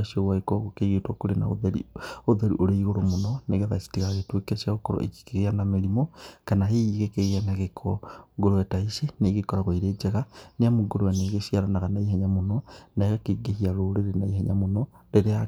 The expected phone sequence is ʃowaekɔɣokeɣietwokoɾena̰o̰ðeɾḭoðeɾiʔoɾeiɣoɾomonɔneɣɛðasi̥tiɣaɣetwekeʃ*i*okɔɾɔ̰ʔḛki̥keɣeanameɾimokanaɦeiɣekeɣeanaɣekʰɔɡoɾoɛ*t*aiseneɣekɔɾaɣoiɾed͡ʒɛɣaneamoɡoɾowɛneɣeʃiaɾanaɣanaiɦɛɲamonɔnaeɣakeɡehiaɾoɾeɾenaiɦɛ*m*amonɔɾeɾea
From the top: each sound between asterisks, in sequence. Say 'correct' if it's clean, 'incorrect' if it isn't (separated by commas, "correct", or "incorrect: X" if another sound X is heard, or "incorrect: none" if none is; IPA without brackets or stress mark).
incorrect: a, correct, incorrect: ɲ